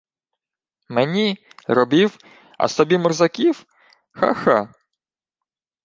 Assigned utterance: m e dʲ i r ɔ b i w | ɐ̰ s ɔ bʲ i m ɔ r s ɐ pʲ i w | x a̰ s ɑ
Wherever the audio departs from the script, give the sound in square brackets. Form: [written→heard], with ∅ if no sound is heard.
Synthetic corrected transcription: m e [dʲ→nʲ] i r ɔ b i w | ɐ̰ s ɔ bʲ i m ɔ r [s→z] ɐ [pʲ→kʲ] i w | x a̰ [s→x] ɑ